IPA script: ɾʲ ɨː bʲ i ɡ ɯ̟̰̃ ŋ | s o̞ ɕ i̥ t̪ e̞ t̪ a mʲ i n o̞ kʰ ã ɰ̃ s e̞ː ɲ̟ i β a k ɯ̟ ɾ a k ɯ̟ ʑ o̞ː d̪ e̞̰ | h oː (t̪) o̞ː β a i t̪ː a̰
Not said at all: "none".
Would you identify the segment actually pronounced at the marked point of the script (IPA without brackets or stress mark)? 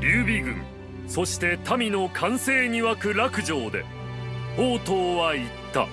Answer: t̪